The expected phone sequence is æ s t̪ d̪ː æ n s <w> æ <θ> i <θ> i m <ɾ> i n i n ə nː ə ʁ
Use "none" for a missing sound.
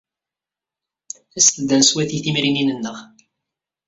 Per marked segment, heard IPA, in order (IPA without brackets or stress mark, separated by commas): w, θ, θ, ɾ